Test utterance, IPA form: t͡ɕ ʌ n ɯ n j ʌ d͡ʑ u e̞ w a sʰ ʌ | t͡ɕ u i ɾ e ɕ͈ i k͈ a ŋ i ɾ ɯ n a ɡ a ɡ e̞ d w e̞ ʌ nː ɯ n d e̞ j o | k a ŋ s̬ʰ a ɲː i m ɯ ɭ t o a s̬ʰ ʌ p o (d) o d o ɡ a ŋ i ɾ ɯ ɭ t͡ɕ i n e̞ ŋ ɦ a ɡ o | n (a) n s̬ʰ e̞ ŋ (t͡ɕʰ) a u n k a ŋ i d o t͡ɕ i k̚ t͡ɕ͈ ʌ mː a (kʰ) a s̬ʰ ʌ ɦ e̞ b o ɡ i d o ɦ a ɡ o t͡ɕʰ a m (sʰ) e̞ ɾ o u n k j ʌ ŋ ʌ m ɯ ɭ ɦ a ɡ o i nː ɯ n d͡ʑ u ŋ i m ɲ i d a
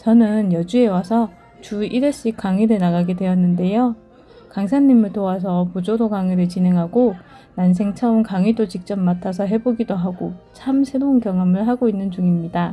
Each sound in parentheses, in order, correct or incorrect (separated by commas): incorrect, correct, correct, incorrect, correct